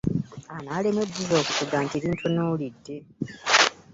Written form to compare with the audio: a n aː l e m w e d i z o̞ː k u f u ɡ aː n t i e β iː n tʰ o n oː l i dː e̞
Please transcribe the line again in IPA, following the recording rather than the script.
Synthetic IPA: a n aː l e m w e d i z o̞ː k u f u ɡ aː n t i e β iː n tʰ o n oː l i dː e̞